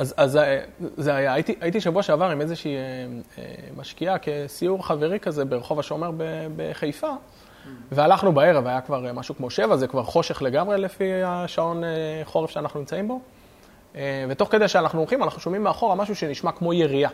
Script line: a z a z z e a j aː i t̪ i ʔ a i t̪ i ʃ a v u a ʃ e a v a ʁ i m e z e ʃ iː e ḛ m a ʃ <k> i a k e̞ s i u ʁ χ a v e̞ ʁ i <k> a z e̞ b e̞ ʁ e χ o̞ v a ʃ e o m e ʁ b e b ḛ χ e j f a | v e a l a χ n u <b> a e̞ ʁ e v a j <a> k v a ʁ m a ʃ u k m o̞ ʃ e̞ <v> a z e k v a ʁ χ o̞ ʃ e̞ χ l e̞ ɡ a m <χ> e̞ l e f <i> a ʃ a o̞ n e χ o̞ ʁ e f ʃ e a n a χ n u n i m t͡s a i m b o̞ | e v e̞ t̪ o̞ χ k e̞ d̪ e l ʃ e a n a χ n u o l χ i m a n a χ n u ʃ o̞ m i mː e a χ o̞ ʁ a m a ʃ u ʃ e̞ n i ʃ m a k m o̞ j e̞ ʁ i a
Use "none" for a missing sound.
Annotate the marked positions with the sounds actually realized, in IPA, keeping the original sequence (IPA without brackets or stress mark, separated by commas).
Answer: k, k, b, a, v, ʁ, i